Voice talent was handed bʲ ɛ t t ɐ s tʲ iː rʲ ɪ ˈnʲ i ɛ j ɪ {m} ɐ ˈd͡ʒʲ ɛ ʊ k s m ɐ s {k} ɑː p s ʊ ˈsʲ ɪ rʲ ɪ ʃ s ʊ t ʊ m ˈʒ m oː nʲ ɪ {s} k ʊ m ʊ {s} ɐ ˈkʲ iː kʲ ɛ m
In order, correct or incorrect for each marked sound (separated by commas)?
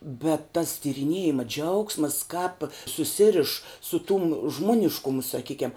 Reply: correct, correct, incorrect, correct